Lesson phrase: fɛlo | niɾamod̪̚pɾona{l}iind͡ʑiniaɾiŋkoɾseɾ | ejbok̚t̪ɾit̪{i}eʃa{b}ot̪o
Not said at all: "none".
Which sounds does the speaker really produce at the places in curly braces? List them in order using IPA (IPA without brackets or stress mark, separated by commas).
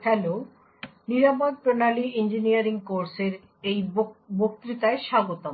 l, a, ɡ